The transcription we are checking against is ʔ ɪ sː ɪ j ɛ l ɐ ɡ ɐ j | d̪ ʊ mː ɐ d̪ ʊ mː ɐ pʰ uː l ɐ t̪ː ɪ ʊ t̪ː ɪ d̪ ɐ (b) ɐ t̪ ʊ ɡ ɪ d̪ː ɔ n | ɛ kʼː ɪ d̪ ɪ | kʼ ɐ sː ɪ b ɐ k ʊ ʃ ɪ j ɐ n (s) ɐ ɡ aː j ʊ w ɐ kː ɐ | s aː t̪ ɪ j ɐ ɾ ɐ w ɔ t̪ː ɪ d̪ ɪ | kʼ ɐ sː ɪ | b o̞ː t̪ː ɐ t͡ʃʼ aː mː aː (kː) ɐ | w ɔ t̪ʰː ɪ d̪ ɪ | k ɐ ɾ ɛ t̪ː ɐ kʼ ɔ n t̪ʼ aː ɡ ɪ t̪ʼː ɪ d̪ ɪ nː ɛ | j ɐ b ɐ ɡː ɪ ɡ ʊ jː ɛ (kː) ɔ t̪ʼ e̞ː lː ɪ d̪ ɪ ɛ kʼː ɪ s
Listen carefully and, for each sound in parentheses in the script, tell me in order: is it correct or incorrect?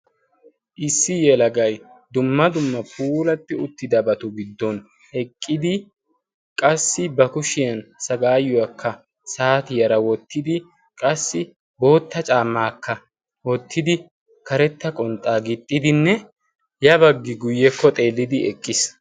correct, correct, correct, correct

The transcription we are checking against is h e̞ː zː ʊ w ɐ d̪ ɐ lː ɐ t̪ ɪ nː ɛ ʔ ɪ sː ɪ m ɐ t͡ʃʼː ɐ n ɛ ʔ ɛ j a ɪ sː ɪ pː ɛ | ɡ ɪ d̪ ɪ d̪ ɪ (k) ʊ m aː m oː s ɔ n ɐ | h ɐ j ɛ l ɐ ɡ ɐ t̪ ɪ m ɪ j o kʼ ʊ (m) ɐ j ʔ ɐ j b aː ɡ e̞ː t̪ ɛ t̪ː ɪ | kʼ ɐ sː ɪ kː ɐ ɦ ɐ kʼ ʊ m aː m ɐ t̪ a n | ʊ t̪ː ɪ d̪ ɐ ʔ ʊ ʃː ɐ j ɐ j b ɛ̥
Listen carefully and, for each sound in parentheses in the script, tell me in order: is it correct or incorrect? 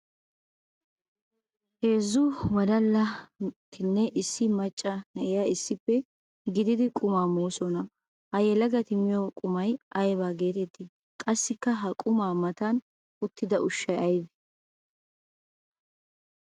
incorrect: kʼ, correct

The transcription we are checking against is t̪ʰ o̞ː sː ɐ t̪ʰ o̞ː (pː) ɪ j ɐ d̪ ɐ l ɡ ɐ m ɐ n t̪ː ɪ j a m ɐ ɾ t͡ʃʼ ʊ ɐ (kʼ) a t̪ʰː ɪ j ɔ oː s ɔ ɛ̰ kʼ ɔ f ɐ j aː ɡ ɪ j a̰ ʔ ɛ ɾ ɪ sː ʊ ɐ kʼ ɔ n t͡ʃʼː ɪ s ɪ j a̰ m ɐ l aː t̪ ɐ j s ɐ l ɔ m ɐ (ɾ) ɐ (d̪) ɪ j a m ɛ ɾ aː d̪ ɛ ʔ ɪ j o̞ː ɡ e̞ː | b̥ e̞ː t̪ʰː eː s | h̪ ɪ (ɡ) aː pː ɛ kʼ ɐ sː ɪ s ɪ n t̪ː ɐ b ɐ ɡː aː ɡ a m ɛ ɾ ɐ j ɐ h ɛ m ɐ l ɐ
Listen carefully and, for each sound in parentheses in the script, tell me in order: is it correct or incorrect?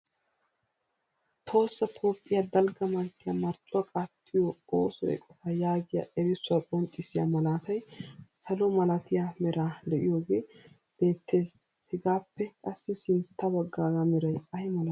incorrect: pʼː, correct, incorrect: l, incorrect: t̪, correct

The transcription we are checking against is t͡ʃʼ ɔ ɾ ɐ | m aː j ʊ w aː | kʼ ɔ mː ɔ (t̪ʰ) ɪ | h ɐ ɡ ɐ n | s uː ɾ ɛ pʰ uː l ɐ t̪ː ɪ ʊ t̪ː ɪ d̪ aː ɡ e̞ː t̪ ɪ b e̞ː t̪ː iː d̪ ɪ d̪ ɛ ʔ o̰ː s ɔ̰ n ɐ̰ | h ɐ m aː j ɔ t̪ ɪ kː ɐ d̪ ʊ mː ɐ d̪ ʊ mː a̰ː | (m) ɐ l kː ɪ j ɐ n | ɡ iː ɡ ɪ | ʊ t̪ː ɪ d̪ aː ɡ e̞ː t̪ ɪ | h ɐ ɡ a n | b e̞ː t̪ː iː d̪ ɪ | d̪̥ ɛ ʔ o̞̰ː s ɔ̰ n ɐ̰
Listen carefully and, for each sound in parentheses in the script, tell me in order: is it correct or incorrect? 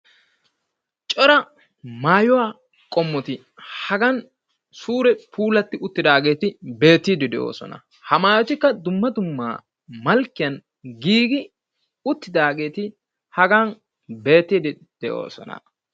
incorrect: t̪, correct

